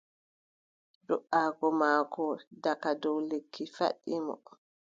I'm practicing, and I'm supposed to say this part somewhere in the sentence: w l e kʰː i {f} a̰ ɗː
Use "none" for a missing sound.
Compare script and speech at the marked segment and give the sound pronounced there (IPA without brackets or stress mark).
f